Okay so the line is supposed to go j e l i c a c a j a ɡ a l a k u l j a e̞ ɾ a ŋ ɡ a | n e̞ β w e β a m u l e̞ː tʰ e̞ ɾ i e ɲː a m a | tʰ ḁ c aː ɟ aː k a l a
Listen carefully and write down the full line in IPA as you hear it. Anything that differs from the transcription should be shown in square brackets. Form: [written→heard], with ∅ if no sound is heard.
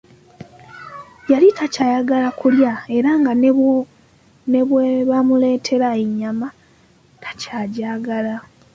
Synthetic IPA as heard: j [e→a] l i [c→t] a c a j a ɡ a l a k u l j a e̞ ɾ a ŋ ɡ a | n e̞ β w e β a m u l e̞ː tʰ e̞ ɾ [i→a] e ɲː a m a | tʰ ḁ c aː ɟ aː [k→ɡ] a l a